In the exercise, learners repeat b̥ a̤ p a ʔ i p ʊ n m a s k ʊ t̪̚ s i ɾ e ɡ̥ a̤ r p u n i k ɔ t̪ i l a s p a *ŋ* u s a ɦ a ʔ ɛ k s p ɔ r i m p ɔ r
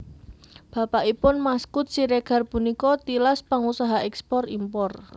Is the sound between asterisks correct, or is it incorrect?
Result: correct